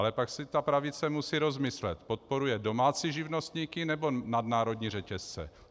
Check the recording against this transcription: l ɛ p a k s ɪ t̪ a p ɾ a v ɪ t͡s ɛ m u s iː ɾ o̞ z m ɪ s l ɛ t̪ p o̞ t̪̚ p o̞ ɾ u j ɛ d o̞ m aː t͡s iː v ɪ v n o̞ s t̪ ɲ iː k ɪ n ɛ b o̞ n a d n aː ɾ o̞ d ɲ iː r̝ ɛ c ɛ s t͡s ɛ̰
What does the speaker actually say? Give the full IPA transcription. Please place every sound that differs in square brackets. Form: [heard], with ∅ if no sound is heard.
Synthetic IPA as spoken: l ɛ p a k s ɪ t̪ a p ɾ a v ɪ t͡s ɛ m u s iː ɾ o̞ z m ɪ s l ɛ t̪ p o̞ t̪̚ p o̞ ɾ u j ɛ d o̞ m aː t͡s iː [ʒ] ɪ v n o̞ s t̪ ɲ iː k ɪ n ɛ b o̞ n a d n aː ɾ o̞ d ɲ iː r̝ ɛ c ɛ s t͡s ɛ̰